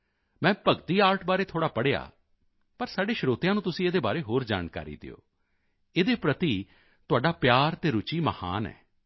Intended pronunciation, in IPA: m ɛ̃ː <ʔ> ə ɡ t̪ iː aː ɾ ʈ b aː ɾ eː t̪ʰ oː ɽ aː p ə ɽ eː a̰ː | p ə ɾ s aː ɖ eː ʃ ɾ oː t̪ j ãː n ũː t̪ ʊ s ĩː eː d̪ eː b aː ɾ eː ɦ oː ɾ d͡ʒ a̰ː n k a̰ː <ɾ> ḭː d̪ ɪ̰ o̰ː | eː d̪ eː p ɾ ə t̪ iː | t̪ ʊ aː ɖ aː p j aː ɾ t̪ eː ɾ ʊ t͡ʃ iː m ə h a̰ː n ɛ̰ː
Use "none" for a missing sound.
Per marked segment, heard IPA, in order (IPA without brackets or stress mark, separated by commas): p, ɾ